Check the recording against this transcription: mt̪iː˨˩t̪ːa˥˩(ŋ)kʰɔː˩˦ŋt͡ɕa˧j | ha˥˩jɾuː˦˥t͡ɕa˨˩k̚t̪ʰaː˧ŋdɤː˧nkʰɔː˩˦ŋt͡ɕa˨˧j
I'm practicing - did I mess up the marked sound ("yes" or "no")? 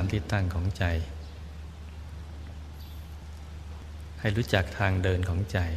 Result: no